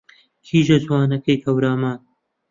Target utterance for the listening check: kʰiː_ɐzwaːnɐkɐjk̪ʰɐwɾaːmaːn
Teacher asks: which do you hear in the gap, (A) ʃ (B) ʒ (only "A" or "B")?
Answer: B